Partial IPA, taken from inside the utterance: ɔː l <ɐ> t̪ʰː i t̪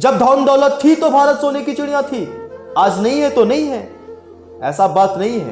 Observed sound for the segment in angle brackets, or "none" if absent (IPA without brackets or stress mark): ə